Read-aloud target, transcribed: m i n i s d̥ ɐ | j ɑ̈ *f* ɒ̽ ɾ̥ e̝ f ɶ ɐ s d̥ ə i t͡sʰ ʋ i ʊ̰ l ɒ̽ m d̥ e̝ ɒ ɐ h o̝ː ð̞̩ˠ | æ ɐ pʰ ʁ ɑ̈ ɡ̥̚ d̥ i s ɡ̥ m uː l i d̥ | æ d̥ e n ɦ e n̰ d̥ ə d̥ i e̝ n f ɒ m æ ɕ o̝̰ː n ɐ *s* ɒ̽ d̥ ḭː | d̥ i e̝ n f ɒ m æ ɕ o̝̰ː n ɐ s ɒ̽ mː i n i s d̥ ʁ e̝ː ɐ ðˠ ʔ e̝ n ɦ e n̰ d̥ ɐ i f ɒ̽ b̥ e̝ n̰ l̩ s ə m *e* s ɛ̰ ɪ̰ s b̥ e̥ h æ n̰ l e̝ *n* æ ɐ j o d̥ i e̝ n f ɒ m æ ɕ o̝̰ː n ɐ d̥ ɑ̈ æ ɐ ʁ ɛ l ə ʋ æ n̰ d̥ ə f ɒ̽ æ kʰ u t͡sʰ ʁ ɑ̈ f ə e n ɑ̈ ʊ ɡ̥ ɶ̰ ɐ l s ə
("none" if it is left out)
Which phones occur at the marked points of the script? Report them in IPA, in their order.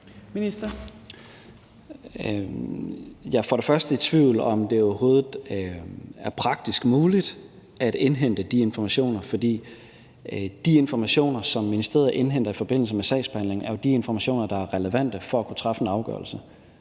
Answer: f, f, e, ŋ

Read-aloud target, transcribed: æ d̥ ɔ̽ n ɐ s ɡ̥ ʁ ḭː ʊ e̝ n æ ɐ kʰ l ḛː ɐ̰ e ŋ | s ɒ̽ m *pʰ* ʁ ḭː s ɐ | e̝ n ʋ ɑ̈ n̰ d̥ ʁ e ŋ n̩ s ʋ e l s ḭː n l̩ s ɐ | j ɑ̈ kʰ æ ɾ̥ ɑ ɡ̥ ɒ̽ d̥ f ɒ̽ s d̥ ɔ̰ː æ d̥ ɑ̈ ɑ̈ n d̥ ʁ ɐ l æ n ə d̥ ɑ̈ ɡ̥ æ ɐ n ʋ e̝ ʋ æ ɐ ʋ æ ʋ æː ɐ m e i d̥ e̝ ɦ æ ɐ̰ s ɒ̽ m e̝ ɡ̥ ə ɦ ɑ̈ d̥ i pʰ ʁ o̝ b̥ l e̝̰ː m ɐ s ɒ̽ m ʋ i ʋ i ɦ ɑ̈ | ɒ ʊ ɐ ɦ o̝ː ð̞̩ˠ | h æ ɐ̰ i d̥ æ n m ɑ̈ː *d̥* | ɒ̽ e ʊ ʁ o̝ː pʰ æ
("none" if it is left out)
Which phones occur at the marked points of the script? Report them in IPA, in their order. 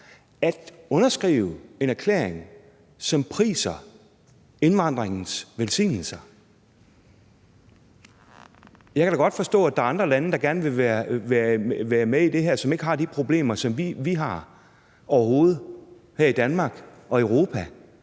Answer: pʰ, ɡ̥

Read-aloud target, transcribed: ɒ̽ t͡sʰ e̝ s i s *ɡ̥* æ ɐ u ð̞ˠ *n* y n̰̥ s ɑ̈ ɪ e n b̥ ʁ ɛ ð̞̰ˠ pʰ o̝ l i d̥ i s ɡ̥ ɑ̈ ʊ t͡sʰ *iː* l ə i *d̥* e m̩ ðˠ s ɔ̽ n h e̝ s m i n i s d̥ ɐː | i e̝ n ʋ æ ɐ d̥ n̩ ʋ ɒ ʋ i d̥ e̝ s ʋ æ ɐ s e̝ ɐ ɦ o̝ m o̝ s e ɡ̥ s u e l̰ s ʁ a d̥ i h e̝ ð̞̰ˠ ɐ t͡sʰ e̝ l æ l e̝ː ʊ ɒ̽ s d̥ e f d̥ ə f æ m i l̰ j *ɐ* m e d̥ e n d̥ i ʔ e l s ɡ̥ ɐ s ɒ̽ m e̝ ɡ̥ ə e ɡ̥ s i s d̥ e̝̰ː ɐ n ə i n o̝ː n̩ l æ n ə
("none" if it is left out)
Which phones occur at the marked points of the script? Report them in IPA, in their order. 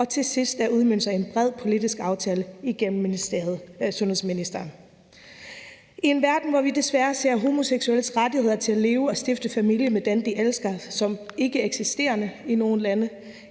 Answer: d̥, m, ɛː, ɡ̥, ə

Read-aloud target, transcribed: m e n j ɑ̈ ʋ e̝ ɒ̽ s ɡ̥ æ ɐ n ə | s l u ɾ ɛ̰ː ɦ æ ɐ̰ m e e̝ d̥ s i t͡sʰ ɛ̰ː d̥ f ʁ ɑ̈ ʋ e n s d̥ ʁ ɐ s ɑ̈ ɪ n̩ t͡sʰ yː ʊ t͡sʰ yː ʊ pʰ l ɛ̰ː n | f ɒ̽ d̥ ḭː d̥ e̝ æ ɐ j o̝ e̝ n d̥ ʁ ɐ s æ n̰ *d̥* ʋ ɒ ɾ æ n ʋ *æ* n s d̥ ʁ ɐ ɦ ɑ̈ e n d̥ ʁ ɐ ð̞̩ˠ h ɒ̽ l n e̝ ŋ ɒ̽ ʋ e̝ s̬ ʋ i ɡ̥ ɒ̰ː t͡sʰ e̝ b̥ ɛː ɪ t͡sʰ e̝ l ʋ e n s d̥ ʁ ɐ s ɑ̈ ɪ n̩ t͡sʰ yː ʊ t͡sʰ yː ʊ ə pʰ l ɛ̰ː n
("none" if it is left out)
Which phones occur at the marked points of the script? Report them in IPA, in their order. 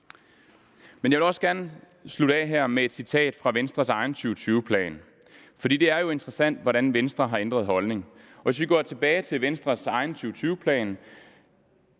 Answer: d̥, e

